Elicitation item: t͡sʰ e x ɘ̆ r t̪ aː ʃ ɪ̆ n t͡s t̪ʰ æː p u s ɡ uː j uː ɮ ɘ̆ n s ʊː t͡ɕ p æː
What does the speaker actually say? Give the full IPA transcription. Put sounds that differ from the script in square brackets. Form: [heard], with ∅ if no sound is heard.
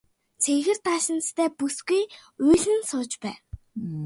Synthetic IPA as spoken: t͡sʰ e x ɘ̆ r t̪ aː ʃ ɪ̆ n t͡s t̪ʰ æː p u s ɡ [u] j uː ɮ ɘ̆ n s ʊː t͡ɕ p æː